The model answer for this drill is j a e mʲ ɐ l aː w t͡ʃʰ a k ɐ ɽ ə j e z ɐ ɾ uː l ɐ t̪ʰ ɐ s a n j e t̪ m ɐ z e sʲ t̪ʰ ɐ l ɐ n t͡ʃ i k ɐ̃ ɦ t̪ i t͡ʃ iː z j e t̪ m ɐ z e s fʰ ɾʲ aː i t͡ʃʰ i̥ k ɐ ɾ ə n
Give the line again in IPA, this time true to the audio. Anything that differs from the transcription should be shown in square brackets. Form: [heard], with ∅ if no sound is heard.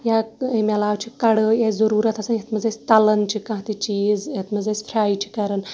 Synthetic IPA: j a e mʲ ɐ l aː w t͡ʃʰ [i] k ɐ ɽ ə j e z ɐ ɾ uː [ɾ] ɐ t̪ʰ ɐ s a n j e t̪ m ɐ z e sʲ [t̪] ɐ l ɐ n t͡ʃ i k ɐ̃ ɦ t̪ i t͡ʃ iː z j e t̪ m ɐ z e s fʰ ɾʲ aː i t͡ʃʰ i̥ k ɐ ɾ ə n